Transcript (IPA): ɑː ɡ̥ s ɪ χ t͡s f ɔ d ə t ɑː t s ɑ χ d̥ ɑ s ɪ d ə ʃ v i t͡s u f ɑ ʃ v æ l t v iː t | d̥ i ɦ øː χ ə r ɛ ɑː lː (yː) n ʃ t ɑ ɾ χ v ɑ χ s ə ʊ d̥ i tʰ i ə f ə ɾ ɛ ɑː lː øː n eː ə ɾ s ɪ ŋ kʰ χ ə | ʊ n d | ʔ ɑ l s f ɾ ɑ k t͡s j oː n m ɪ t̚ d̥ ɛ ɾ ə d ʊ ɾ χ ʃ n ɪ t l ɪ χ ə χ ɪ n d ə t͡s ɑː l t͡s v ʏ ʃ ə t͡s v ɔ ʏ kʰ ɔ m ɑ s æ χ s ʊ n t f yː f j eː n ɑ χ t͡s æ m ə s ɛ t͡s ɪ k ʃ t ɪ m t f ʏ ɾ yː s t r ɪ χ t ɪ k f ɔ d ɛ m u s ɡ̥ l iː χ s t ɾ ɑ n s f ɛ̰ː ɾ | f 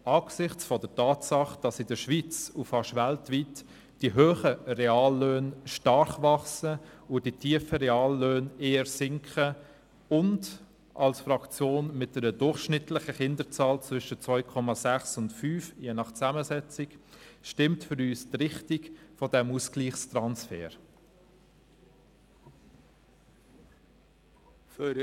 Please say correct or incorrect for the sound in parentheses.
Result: incorrect: øː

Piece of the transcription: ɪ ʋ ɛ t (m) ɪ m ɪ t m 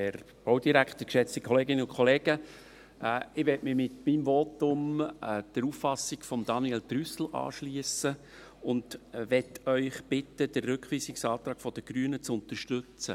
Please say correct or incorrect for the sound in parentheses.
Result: correct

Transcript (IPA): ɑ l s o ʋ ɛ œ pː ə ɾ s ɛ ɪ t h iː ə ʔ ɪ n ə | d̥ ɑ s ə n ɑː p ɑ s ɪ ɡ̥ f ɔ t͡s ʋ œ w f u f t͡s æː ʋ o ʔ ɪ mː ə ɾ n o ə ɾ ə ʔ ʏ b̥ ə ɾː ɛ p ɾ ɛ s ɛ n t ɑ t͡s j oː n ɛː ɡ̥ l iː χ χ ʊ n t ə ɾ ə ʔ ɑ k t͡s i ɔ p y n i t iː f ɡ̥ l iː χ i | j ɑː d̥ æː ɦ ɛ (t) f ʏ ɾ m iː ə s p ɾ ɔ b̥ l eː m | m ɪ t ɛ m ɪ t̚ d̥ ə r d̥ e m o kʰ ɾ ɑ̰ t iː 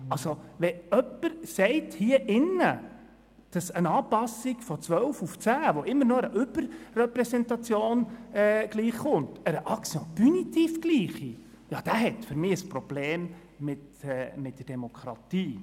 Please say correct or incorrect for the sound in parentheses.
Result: correct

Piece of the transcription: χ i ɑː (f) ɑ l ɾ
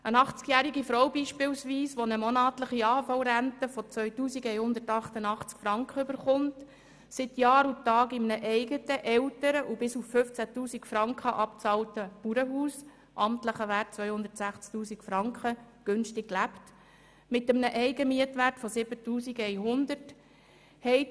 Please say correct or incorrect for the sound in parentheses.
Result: correct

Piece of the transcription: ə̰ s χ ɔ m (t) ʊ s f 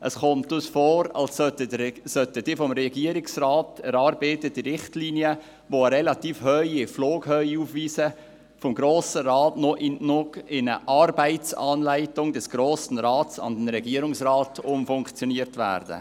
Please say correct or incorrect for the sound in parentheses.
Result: correct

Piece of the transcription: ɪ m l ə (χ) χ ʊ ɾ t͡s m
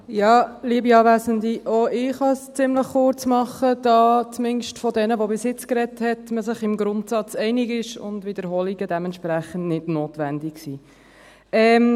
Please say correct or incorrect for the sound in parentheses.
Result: correct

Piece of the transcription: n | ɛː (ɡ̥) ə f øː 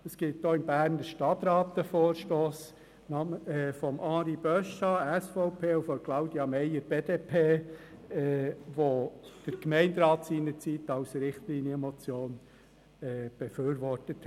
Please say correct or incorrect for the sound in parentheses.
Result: incorrect: b̥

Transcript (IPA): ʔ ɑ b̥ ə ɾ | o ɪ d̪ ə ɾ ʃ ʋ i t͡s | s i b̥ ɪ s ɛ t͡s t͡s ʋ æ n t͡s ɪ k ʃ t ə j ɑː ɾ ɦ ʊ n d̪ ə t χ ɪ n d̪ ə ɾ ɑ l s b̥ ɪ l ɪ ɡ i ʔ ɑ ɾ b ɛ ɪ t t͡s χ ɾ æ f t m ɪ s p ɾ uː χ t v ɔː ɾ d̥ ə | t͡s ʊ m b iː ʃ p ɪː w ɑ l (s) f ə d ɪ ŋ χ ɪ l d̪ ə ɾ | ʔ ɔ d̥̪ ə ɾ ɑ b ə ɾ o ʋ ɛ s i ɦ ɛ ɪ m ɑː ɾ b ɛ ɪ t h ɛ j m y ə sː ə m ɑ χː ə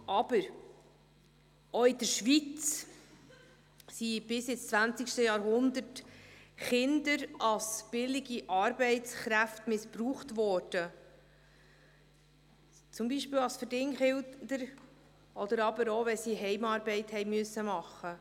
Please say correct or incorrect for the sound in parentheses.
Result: correct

